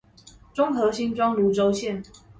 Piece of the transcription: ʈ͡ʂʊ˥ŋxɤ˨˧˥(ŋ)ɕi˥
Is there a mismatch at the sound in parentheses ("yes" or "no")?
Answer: yes